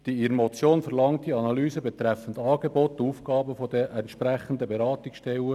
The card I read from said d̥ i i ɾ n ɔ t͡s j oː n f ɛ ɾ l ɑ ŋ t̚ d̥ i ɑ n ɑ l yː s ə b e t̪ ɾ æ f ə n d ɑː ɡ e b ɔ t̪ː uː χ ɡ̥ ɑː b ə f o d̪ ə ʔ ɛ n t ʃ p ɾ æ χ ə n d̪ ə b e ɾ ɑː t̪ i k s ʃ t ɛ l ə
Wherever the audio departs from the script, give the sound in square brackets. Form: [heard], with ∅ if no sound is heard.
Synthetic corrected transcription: d̥ i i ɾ [m] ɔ t͡s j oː n f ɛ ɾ l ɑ ŋ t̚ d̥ i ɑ n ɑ l yː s ə b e t̪ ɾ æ f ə n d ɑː ɡ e b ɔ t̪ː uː [f] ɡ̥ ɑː b ə f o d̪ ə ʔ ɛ n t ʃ p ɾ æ χ ə n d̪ ə b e ɾ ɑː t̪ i k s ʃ t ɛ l ə

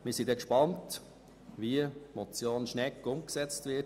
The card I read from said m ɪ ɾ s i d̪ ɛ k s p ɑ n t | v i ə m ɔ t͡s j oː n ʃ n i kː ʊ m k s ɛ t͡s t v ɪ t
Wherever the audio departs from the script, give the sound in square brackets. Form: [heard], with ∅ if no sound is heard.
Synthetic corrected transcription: m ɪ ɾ s i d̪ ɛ k [ʃ] p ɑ n t | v i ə m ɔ t͡s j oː n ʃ n [ɛ] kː ʊ m k s ɛ t͡s t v ɪ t

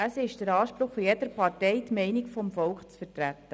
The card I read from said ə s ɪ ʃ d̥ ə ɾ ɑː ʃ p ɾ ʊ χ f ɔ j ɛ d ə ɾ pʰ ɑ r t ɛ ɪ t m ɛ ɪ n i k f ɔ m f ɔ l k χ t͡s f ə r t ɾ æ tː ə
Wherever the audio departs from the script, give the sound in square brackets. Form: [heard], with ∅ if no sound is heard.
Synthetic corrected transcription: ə s ɪ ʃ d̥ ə ɾ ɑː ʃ p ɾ ʊ χ f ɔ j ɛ d ə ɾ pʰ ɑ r t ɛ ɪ t m ɛ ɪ n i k f ɔ m f ɔ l k χ t͡s f ə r t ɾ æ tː ə

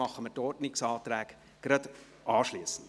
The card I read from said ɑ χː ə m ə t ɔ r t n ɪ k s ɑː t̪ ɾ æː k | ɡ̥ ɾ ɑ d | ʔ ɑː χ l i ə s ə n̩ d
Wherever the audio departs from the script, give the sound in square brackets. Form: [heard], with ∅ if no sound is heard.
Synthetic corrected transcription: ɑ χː ə m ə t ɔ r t n ɪ k s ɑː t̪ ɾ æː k | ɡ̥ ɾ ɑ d | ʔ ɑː [ʃ] l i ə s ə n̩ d

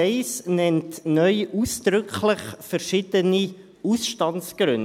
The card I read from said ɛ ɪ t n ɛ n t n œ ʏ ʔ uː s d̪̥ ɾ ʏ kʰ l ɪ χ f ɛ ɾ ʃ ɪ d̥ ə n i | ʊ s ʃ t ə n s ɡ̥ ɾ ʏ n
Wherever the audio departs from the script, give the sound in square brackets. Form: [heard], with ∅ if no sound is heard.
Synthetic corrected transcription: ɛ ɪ [s] n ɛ n t n œ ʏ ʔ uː s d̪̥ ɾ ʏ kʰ l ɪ χ f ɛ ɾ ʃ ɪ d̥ ə n i | [u] s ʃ t [ɑ] n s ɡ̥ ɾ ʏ n

